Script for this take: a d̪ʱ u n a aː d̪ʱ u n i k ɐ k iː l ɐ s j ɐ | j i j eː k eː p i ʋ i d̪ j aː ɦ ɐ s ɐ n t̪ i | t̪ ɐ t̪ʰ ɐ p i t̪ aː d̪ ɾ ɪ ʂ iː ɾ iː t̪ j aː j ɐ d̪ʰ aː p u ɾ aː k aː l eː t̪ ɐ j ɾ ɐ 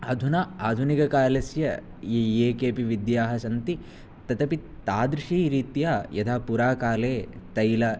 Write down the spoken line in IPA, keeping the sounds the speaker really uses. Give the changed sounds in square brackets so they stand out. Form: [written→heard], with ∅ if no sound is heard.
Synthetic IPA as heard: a d̪ʱ u n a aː d̪ʱ u n i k ɐ k [iː→aː] l ɐ s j ɐ | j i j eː k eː p i ʋ i d̪ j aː ɦ ɐ s ɐ n t̪ i | t̪ ɐ [t̪ʰ→t̪] ɐ p i t̪ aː d̪ ɾ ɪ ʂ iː ɾ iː t̪ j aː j ɐ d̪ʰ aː p u ɾ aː k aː l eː t̪ ɐ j [ɾ→l] ɐ